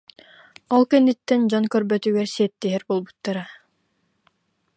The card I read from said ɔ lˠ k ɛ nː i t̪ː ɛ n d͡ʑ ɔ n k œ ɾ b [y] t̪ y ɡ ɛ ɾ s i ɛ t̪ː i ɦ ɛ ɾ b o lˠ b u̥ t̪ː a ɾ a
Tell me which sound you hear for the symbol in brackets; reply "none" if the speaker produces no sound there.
œ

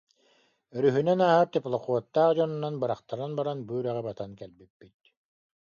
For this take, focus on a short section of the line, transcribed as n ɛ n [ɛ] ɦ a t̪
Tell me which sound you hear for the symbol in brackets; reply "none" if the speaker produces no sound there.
a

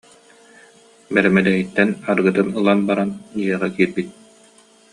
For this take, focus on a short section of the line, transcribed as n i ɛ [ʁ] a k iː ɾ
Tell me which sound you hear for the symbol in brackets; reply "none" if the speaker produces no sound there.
ʁ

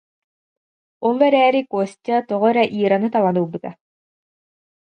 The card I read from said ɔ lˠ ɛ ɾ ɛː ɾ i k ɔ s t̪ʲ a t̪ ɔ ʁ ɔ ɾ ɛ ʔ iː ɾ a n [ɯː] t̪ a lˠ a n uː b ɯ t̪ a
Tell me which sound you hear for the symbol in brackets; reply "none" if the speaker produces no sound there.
ɯ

